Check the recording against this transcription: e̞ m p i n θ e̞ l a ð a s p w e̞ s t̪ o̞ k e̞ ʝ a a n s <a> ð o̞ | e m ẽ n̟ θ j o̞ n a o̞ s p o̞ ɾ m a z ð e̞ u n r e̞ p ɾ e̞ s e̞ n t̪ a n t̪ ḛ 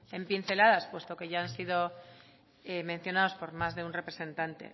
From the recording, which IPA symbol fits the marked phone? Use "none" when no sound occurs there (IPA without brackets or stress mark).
i